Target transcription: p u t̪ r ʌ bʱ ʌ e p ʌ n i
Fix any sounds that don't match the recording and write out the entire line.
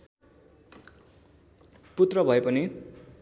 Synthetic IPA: p u t̪ r ʌ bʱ ʌ e p ʌ n i